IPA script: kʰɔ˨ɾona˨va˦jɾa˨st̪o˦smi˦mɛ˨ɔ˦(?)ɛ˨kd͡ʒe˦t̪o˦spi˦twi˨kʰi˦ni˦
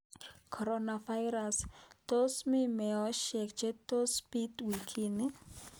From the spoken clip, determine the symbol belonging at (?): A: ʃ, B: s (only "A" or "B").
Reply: A